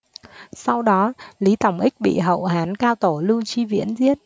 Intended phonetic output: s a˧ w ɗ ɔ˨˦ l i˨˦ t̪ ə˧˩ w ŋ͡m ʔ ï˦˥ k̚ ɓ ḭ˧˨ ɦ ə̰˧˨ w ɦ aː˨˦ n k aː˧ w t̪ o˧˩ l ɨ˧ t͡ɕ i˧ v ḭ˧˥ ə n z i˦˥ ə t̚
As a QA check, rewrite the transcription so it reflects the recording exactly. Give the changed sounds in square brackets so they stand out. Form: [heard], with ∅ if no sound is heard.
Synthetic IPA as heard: s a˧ w ɗ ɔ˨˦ l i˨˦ t̪ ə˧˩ w ŋ͡m ʔ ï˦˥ k̚ ɓ ḭ˧˨ ɦ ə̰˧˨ w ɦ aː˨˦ n k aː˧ w t̪ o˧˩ l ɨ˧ t͡ɕ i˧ v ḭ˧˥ ə n z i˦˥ ə t̚